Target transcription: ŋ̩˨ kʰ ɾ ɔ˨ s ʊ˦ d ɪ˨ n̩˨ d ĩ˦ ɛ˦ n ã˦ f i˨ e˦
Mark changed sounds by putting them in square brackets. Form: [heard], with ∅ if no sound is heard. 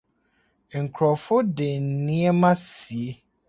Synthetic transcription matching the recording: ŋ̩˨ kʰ ɾ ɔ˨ [f] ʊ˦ d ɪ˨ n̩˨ [n] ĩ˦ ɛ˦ [m] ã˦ [s] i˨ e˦